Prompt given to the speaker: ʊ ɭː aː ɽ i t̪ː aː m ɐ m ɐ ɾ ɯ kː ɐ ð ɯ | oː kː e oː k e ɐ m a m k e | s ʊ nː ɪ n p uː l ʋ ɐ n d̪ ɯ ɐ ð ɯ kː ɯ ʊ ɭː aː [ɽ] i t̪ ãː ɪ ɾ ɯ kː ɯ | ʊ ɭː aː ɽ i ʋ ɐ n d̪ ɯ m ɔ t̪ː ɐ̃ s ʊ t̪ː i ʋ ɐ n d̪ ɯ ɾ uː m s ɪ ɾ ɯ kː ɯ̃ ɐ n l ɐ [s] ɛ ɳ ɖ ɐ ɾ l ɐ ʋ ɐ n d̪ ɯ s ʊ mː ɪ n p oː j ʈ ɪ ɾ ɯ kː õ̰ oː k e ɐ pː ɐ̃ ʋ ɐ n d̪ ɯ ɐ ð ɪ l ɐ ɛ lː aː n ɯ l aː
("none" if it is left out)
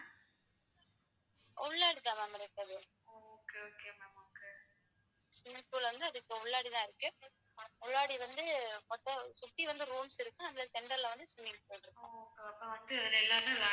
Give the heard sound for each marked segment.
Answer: ɽ, s

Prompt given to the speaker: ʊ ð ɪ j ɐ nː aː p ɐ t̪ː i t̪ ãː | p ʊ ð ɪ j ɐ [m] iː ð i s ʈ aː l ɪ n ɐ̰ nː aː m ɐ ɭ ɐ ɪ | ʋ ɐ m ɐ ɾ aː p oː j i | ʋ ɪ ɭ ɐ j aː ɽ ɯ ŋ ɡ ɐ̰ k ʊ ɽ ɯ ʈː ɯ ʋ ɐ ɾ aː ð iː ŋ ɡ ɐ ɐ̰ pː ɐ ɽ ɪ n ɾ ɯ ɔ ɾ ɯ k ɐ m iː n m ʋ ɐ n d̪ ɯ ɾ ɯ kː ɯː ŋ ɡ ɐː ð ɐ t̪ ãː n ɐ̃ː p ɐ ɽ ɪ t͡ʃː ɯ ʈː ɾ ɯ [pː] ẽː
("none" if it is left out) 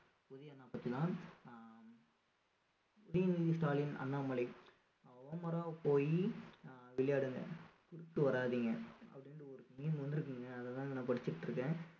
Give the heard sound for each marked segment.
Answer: n, kː

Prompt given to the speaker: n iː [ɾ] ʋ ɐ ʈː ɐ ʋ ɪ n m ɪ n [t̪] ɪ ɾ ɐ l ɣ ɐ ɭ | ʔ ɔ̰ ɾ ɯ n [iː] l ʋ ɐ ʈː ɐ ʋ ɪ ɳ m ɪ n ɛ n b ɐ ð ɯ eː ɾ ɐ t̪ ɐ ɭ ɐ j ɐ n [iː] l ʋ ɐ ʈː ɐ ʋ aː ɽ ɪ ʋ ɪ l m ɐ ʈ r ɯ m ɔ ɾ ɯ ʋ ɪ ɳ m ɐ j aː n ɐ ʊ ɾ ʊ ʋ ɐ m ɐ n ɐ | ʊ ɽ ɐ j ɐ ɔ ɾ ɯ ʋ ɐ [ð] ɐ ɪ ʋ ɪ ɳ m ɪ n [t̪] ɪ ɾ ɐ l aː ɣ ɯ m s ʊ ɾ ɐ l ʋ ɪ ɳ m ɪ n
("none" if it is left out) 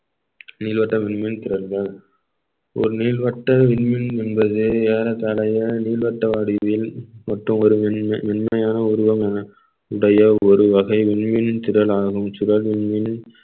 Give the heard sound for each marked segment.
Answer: l, t̪, iː, iː, ɣ, t̪

